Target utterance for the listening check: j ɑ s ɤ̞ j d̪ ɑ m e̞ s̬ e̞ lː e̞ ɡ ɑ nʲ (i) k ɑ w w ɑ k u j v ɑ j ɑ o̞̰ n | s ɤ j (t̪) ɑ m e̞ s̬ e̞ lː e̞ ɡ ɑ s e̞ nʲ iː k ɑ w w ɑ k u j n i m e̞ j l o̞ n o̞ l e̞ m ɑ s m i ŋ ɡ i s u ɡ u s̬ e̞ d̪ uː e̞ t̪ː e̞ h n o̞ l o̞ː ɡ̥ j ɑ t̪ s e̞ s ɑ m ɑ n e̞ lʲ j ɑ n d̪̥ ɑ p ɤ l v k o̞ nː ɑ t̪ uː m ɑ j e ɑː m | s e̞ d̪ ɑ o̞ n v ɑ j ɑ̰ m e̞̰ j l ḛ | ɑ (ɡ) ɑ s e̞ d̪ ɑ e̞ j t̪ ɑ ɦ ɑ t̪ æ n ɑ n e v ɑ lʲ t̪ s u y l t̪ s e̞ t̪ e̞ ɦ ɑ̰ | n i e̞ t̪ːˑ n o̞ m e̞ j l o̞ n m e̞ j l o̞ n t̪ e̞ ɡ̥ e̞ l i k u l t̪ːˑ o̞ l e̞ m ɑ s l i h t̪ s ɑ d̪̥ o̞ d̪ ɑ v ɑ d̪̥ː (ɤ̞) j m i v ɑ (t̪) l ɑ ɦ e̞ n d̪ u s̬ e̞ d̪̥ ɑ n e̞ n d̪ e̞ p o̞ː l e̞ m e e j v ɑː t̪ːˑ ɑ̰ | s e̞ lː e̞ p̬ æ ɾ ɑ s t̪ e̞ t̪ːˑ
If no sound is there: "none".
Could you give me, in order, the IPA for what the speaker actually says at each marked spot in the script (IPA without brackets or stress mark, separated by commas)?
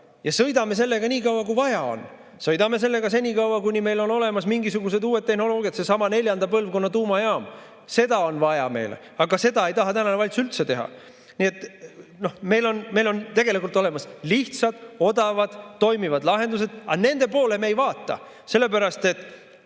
iː, d̪, ɡ, o̞, d̪